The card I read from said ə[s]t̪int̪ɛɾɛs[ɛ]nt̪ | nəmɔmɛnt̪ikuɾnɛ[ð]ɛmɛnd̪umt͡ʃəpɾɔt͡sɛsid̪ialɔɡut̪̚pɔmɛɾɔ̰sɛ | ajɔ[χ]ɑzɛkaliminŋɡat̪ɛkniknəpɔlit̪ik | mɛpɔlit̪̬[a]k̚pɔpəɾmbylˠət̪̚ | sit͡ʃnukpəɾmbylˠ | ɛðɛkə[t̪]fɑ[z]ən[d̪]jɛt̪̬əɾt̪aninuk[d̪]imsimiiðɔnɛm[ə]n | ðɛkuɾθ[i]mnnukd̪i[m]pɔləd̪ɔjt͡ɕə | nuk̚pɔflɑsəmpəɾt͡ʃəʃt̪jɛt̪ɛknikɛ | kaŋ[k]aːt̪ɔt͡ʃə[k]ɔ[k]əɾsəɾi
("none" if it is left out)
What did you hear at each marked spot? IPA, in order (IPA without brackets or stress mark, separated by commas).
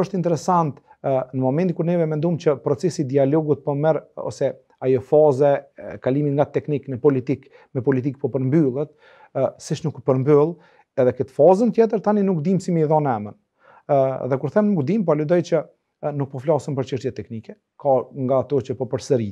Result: ʃ, a, v, f, i, t̪, z, t̪, d̪, ə, ɛ, m, ɡ, p, p